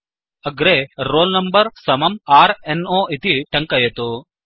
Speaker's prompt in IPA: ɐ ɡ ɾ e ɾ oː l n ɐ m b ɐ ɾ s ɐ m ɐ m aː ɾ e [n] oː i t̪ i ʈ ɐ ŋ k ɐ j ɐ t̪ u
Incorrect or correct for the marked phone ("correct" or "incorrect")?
correct